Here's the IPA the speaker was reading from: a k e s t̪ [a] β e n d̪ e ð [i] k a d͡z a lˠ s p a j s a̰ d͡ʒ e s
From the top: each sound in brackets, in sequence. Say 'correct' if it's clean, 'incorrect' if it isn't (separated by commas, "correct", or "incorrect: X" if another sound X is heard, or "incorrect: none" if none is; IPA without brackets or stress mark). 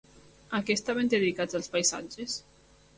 correct, correct